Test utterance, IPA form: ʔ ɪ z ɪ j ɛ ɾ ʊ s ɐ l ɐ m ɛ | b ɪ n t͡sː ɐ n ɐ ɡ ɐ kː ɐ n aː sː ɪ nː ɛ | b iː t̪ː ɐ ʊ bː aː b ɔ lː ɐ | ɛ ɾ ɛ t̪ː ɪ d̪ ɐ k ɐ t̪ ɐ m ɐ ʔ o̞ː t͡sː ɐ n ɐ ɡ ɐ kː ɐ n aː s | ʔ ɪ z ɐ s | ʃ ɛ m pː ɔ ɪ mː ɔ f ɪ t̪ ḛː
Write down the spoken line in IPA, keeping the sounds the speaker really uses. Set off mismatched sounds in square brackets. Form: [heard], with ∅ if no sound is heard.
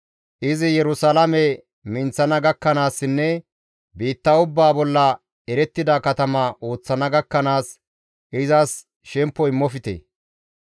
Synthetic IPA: ʔ ɪ z ɪ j ɛ ɾ ʊ s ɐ l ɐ m ɛ | [m] ɪ n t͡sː ɐ n ɐ ɡ ɐ kː ɐ n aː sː ɪ nː ɛ | b iː t̪ː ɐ ʊ bː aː b ɔ lː ɐ | ɛ ɾ ɛ t̪ː ɪ d̪ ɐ k ɐ t̪ ɐ m ɐ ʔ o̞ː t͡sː ɐ n ɐ ɡ ɐ kː ɐ n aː s | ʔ ɪ z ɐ s | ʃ ɛ m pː ɔ ɪ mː ɔ f ɪ t̪ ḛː